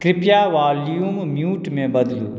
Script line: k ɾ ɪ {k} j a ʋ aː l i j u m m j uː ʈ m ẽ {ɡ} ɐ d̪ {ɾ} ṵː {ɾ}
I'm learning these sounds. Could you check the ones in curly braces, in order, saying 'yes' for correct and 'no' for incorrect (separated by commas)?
no, no, no, no